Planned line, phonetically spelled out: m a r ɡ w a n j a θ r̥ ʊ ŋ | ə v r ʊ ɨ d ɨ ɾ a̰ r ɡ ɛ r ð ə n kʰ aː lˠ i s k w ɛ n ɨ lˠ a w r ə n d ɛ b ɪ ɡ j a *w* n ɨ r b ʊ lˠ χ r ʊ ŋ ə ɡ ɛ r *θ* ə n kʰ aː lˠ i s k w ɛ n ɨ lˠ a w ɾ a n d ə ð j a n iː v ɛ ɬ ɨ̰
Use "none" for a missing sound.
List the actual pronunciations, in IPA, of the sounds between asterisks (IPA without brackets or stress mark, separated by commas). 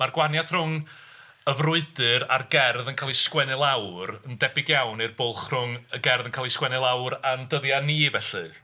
w, ð